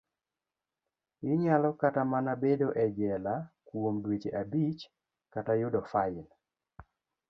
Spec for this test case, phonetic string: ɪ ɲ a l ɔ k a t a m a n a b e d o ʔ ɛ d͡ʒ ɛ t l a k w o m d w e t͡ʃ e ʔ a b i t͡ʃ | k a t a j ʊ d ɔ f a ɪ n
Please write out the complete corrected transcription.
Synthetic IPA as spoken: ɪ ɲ a l ɔ k a t a m a n a b e d o ʔ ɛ d͡ʒ ɛ l a k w o m d w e t͡ʃ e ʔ a b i t͡ʃ | k a t a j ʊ d ɔ f a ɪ n